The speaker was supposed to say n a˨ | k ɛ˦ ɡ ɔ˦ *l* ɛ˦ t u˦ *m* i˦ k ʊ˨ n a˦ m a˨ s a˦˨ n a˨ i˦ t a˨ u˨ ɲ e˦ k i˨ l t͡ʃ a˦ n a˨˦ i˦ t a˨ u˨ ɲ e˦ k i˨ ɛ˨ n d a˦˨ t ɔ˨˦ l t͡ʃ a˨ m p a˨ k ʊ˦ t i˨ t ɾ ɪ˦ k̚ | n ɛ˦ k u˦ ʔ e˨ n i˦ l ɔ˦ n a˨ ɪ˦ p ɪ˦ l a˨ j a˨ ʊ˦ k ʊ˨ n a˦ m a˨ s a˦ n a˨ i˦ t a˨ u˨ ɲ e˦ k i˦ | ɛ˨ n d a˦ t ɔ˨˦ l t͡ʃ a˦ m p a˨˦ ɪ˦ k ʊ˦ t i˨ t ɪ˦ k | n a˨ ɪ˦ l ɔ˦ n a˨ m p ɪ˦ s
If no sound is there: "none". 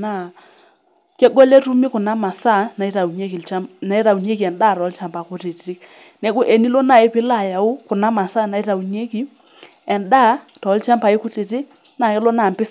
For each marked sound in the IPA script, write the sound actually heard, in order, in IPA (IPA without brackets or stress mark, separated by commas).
l, m